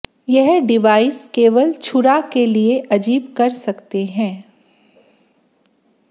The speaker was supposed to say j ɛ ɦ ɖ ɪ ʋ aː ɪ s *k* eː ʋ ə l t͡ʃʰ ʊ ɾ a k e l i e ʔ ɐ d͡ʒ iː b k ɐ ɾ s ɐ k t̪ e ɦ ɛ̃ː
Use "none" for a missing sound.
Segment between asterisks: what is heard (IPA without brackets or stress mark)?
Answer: k